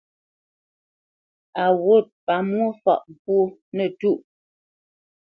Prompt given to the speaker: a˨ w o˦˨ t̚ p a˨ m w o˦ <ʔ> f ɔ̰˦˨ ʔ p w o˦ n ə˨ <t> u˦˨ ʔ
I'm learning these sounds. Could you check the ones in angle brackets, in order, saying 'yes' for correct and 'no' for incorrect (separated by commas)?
no, yes